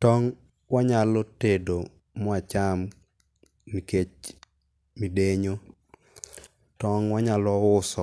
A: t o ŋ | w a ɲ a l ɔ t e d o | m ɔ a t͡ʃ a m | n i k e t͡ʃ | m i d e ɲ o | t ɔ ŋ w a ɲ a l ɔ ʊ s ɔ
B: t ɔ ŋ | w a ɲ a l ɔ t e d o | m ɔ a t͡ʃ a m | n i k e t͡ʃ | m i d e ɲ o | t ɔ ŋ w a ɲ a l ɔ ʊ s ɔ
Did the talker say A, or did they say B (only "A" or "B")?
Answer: B